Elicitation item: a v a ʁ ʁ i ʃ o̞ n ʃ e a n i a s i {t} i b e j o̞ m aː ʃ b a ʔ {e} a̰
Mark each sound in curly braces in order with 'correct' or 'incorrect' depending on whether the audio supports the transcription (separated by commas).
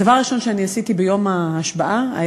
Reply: correct, incorrect